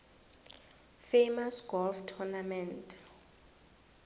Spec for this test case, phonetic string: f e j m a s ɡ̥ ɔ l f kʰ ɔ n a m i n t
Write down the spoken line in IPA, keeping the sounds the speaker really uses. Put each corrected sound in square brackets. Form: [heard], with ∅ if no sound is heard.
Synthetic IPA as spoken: f e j m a s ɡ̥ ɔ l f [tʰ] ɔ n a m [ɛ] n t